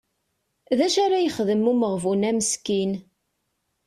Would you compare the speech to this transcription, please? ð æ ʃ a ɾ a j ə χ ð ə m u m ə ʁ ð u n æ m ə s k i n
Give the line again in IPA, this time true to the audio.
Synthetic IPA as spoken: ð æ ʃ a ɾ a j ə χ ð ə m u m ə ʁ v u n æ m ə s k i n